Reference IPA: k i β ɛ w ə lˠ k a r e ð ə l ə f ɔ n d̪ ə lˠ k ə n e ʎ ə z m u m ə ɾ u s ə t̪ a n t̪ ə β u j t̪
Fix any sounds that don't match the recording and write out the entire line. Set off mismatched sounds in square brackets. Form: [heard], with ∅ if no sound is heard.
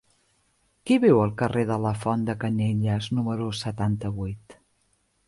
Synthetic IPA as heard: k i β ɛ w ə lˠ k [ə] r e ð ə l ə f ɔ n d̪ ə [∅] k ə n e ʎ ə z [n] u m ə ɾ u s ə t̪ a n t̪ ə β u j t̪

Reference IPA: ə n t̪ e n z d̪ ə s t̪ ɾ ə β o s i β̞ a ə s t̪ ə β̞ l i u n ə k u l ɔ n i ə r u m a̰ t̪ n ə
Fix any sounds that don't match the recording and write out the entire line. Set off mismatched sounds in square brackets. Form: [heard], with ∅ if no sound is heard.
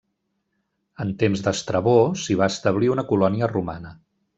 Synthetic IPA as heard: ə n t̪ e [m] z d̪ ə s t̪ ɾ ə β o s i β̞ a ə s t̪ ə β̞ l i u n ə k u l ɔ n i ə r u m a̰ [∅] n ə

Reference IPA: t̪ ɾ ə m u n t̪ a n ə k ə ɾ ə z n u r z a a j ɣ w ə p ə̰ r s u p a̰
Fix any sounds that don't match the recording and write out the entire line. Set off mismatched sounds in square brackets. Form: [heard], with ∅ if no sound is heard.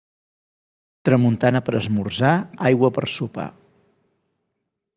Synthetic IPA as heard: t̪ ɾ ə m u n t̪ a n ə [p] ə ɾ ə z [m] u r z a a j ɣ w ə p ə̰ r s u p a̰

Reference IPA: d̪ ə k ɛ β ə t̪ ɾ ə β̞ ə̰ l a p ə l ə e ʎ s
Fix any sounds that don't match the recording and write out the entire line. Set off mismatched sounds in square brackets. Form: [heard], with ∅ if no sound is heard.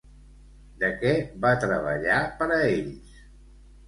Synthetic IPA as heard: d̪ ə k ɛ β [a] t̪ ɾ ə β̞ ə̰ [ʎ] a p ə [ɾ] ə e ʎ s

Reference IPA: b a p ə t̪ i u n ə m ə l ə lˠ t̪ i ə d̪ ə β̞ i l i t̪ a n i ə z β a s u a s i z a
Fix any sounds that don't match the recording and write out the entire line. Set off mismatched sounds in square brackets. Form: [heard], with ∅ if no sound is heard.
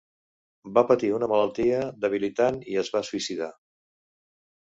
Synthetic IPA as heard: b a p ə t̪ i u n ə m ə l ə lˠ t̪ i ə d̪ ə β̞ i l i t̪ a n i ə z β a s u [i] s i [ð] a

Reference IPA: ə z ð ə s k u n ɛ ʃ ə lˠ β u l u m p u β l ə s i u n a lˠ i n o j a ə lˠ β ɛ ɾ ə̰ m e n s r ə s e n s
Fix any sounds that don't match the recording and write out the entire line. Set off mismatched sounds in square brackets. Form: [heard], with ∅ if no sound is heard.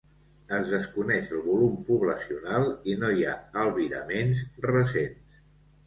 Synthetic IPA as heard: ə z ð ə s k u n ɛ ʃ ə lˠ β u l u m p u β l ə s i u n a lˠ i n o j a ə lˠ β [i] ɾ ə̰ m e n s r ə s e n s

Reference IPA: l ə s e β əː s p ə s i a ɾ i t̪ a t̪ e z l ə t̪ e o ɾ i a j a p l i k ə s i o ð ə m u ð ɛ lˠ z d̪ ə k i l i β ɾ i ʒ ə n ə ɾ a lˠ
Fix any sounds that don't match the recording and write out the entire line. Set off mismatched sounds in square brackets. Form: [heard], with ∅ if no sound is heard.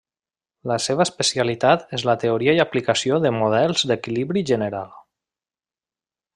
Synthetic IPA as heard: l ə s e β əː s p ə s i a [l] i t̪ a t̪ e z l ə t̪ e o ɾ i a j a p l i k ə s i o ð ə m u ð ɛ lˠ z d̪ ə k i l i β ɾ i ʒ ə n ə ɾ a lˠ

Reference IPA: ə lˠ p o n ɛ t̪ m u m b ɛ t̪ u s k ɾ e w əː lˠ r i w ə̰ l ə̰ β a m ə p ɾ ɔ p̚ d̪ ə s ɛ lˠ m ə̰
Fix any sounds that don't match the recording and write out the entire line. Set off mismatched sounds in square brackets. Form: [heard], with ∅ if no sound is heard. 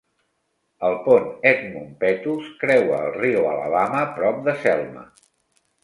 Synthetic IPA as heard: ə lˠ p o n ɛ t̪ m u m [p] ɛ t̪ u s k ɾ [ɛ] w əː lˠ r i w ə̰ l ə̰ β a m ə p ɾ ɔ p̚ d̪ ə s ɛ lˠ m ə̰

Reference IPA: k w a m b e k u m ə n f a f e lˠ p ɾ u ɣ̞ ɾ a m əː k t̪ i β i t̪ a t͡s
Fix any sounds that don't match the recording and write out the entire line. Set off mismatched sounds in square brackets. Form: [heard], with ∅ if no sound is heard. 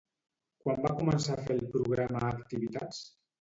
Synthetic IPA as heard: k w a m b [a] k u m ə n [s] a f e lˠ p ɾ u ɣ̞ ɾ a m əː k t̪ i β i t̪ a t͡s

